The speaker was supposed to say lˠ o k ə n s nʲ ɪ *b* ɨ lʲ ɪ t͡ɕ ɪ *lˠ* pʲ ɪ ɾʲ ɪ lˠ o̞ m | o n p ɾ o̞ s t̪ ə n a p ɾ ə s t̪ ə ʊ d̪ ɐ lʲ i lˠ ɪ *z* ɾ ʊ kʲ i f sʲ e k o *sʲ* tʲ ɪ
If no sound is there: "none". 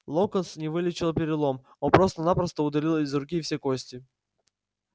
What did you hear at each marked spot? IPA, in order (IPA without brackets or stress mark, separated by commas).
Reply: v, lˠ, z, sʲ